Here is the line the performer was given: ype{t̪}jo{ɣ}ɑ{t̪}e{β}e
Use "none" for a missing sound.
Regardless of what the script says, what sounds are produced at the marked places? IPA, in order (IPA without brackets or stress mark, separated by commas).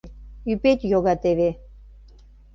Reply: t̪, ɣ, t̪, β